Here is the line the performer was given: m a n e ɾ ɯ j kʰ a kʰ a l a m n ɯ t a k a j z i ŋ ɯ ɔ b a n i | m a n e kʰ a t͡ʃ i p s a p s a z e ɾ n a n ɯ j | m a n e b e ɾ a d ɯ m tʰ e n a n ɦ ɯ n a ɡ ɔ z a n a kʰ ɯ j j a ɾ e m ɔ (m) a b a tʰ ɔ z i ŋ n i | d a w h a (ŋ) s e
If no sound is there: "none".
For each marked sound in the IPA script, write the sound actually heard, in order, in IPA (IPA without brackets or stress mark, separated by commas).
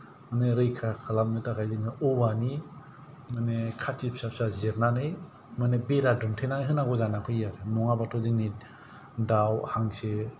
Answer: ŋ, ŋ